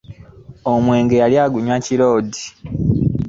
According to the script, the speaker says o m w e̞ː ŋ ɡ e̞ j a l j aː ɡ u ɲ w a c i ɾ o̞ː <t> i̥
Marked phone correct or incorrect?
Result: incorrect